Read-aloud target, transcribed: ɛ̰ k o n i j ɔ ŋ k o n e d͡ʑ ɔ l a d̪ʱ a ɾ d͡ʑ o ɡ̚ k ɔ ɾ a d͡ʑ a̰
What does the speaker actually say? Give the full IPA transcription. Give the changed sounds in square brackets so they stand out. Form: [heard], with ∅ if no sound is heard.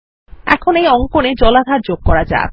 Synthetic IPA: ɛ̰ [kʰ] o n [e] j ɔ ŋ k o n e d͡ʑ ɔ l a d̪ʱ a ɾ d͡ʑ o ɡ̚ k ɔ ɾ a d͡ʑ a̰